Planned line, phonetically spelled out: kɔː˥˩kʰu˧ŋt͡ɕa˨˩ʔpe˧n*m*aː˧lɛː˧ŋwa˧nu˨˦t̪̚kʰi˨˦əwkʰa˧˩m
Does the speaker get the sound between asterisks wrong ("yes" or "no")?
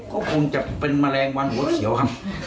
no